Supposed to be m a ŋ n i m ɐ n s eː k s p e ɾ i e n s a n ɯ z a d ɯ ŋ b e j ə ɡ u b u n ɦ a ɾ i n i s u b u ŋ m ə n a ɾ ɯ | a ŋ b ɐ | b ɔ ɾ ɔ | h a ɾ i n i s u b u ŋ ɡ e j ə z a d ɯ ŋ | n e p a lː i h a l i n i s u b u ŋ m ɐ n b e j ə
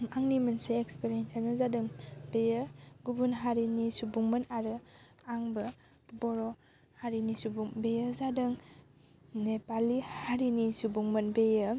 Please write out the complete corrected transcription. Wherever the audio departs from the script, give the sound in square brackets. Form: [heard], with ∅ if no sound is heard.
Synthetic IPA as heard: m a ŋ n i m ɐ n s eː k s p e ɾ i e n s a n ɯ z a d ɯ ŋ b e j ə ɡ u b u n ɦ a ɾ i n i s u b u ŋ m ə n a ɾ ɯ | a ŋ b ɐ | b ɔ ɾ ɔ | h a ɾ i n i s u b u ŋ [b] e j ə z a d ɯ ŋ | n e p a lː i h a [ɾ] i n i s u b u ŋ m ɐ n b e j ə